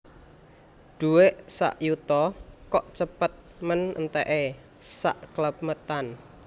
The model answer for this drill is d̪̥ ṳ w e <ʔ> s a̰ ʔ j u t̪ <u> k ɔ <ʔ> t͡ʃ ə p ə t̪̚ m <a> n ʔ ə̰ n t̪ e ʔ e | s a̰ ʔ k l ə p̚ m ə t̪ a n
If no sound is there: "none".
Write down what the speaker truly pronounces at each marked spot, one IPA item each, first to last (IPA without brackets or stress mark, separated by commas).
ʔ, ɔ, ʔ, ə